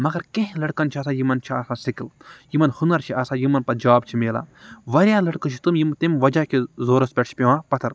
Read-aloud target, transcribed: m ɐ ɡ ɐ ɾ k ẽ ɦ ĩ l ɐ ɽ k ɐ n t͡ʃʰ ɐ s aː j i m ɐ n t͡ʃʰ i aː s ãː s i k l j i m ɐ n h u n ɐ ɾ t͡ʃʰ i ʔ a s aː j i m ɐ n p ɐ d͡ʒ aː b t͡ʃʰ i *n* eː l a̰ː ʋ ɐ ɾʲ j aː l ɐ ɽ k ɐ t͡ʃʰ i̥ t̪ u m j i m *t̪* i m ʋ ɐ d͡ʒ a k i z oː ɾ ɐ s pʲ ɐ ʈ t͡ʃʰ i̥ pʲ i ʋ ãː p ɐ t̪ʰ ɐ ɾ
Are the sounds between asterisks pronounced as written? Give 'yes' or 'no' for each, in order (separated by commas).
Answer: no, yes